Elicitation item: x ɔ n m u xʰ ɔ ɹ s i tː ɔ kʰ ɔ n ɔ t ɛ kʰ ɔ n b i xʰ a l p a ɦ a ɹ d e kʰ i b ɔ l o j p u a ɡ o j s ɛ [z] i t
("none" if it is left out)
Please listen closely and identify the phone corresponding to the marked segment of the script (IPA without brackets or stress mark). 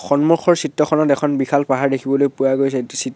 s